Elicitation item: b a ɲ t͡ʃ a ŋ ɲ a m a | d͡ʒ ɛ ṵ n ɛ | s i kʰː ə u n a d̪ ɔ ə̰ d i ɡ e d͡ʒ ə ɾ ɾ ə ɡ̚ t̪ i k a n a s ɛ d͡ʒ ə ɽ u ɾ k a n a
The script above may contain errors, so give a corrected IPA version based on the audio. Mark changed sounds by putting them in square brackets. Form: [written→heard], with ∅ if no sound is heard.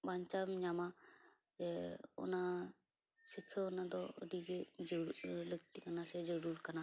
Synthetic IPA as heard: b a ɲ t͡ʃ a [ŋ→m] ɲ a m a | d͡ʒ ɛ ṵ n [ɛ→a] | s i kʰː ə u n a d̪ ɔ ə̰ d i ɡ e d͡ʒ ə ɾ [ɾ→l] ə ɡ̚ t̪ i k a n a s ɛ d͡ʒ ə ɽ u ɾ k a n a